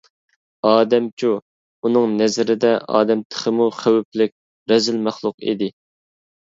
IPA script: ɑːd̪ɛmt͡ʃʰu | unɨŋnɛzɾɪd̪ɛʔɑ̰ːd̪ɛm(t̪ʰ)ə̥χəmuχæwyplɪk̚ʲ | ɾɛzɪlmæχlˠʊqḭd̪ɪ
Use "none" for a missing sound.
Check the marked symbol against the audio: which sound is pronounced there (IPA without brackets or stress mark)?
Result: t̪ʰ